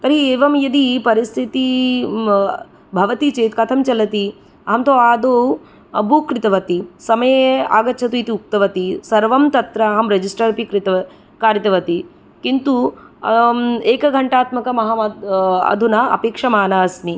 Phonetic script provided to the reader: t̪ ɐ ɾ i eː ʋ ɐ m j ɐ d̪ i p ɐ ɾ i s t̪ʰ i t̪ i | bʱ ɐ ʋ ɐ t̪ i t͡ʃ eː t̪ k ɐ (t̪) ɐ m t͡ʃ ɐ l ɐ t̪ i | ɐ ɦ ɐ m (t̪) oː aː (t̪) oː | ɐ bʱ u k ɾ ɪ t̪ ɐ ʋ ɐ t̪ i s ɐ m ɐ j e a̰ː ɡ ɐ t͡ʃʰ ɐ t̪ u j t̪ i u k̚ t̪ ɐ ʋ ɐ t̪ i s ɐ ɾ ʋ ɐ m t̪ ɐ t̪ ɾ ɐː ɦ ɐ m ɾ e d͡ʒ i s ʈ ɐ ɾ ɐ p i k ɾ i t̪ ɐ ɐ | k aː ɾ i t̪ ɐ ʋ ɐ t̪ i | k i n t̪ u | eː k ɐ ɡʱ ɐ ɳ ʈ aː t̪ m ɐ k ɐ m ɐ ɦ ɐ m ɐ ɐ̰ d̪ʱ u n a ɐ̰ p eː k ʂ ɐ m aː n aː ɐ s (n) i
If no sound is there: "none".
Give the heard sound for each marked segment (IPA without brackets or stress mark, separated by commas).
t̪ʰ, t̪, d̪, n